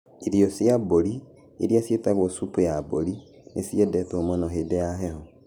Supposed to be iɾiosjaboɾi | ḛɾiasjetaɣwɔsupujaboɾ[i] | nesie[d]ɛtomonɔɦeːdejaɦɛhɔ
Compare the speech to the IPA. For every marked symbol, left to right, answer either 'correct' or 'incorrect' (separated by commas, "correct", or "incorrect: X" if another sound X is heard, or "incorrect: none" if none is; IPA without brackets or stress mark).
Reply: correct, correct